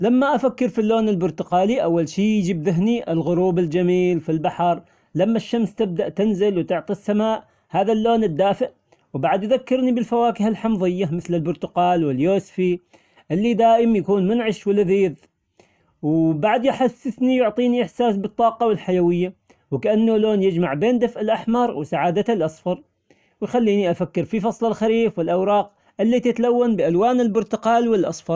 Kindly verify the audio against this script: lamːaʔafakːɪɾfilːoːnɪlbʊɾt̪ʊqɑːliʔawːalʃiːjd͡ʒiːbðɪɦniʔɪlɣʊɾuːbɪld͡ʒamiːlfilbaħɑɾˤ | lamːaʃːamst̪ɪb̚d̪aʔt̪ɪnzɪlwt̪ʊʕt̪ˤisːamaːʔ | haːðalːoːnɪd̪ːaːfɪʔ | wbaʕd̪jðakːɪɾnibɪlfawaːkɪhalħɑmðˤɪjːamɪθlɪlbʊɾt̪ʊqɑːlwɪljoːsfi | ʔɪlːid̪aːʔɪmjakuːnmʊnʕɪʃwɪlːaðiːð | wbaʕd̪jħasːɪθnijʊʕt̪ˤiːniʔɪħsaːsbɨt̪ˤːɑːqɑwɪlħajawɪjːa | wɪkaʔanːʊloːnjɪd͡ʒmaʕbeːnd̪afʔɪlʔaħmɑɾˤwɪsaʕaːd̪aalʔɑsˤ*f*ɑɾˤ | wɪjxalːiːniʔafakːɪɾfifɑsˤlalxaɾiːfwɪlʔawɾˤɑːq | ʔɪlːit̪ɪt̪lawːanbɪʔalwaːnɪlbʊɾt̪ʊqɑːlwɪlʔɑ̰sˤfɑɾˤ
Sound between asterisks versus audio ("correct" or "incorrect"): correct